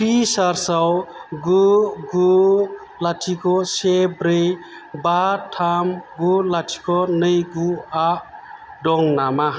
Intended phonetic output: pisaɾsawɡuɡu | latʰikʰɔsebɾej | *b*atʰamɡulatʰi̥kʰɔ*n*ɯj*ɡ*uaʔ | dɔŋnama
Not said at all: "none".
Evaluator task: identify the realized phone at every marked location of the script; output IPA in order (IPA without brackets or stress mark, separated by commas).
b, n, ɡ